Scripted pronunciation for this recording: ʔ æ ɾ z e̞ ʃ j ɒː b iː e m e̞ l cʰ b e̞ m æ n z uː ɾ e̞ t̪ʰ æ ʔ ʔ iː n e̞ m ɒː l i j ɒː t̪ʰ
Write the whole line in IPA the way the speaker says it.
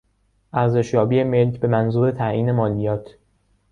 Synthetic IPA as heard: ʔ æ ɾ z e̞ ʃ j ɒː b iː e m e̞ l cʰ b e̞ m æ n z uː ɾ e̞ t̪ʰ æ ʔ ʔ iː n e̞ m ɒː l i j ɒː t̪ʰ